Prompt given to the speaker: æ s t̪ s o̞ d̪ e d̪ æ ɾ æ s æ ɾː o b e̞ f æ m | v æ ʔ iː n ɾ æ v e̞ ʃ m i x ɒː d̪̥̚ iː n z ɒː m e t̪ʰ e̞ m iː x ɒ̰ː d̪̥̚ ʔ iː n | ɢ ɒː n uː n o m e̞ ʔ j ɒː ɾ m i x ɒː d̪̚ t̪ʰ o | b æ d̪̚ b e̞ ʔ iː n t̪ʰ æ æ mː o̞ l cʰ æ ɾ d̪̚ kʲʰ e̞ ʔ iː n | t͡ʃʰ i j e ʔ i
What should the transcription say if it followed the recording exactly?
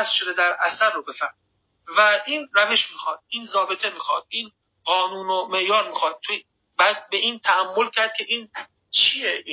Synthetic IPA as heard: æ s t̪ ʃ o̞ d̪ e d̪ æ ɾ æ s æ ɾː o b e̞ f æ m | v æ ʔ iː n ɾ æ v e̞ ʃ m i x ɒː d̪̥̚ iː n z ɒː b e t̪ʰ e̞ m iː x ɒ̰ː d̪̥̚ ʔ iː n | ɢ ɒː n uː n o m e̞ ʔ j ɒː ɾ m i x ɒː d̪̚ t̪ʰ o | b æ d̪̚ b e̞ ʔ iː n t̪ʰ æ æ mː o̞ l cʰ æ ɾ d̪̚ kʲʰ e̞ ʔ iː n | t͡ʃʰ i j e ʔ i